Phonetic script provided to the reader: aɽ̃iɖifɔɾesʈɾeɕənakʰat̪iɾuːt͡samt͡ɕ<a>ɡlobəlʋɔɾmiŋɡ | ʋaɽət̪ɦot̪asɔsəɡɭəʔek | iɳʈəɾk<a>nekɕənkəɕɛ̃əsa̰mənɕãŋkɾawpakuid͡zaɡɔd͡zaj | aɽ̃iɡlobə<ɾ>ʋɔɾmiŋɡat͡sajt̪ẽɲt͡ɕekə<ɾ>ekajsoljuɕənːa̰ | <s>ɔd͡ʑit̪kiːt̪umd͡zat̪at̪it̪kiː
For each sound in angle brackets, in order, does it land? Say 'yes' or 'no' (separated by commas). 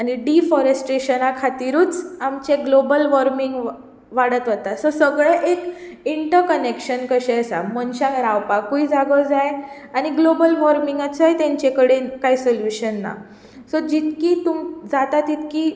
no, no, no, no, yes